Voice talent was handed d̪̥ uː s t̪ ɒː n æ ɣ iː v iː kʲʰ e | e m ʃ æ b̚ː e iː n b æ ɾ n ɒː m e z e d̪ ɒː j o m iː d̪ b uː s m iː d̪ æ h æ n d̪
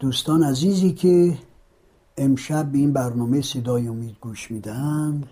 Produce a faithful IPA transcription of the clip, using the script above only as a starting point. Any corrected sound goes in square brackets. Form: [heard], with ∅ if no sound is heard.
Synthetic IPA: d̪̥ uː s t̪ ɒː n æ [z] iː [z] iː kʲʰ e | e m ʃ æ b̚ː e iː n b æ ɾ n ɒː m e [s] e d̪ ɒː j o m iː d̪ [ɡ] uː [ʃ] m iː d̪ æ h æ n d̪